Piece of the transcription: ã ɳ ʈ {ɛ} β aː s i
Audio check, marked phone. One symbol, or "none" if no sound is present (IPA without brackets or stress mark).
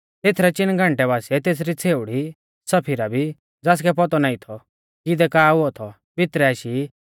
ɛ